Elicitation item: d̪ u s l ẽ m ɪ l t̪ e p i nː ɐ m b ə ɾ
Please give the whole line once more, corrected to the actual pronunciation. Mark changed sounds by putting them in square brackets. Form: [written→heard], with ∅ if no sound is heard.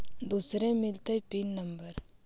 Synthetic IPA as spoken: d̪ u s [l→ɾ] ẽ m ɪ l t̪ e p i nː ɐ m b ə ɾ

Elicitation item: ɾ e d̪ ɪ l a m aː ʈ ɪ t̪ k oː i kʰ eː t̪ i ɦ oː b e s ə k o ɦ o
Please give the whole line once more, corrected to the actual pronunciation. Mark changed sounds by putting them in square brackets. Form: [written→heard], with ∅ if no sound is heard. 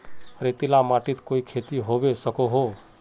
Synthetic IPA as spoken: ɾ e [d̪→t̪] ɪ l a m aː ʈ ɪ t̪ k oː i kʰ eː t̪ i ɦ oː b e s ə k o ɦ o

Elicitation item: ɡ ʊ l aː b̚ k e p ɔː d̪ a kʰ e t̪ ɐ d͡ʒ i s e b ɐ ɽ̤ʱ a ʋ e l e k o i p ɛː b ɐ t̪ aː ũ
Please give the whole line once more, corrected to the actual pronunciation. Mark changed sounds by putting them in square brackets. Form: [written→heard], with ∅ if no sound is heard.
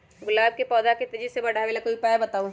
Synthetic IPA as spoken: ɡ ʊ l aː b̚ k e p ɔː d̪ a [kʰ→k] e t̪ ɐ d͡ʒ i s e b ɐ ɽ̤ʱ a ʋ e l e k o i p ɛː b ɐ t̪ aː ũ

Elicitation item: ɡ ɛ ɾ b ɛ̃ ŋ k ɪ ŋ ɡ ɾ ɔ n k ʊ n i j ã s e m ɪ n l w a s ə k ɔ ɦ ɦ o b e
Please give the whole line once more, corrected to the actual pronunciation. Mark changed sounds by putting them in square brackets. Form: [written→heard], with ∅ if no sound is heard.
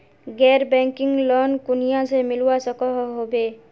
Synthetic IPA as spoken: ɡ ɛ ɾ b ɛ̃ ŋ k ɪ ŋ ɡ [ɾ→l] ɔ n k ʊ n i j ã s e m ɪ [n→∅] l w a s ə k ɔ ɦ ɦ o b e

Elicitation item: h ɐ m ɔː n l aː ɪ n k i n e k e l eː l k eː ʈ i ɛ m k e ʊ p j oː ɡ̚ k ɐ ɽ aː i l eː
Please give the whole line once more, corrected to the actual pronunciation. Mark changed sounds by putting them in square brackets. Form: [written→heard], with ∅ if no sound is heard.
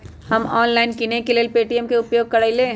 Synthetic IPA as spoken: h ɐ m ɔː n l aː ɪ n k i n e k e l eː l [k→p] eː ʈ i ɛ m k e ʊ p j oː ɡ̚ k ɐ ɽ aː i l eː

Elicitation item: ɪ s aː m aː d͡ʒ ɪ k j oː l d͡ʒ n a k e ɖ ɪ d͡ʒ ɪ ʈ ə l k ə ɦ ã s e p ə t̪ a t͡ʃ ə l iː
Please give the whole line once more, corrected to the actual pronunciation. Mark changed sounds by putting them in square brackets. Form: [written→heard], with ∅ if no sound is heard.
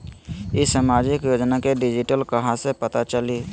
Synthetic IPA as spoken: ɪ s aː m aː d͡ʒ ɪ k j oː [l→∅] d͡ʒ n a k e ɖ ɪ d͡ʒ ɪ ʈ ə l k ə ɦ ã s e p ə t̪ a t͡ʃ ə l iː

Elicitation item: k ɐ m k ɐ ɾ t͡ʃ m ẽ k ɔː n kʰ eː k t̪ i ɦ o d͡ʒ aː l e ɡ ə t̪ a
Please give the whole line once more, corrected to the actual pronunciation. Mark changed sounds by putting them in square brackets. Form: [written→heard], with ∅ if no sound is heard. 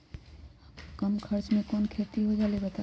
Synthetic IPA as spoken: k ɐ m [k→kʰ] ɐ ɾ t͡ʃ m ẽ k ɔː n kʰ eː [k→∅] t̪ i ɦ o d͡ʒ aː l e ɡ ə t̪ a

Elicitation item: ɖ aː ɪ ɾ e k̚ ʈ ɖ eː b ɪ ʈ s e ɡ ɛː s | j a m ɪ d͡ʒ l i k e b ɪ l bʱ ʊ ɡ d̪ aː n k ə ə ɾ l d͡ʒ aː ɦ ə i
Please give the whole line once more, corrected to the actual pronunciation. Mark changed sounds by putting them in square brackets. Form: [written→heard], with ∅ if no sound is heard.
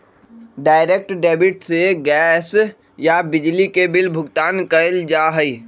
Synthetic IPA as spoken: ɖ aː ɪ ɾ e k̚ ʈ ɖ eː b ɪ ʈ s e ɡ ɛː s | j a [m→b] ɪ d͡ʒ l i k e b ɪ l bʱ ʊ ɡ [d̪→t̪] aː n k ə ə [ɾ→∅] l d͡ʒ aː ɦ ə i

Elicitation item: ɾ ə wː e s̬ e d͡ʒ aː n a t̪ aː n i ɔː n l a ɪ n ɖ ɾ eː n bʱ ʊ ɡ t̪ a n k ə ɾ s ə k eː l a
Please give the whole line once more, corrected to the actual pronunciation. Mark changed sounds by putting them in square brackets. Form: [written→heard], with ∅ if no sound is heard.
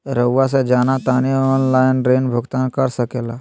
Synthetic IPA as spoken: ɾ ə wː [e→a] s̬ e d͡ʒ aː n a t̪ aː n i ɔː n l a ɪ n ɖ ɾ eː n bʱ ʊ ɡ t̪ a n k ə ɾ s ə k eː l a

